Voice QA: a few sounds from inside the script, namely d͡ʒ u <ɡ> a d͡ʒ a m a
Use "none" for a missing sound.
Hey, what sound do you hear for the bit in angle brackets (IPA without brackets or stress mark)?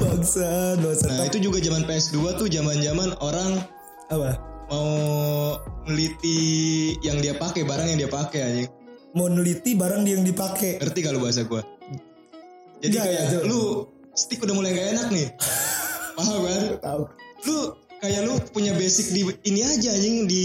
ɡ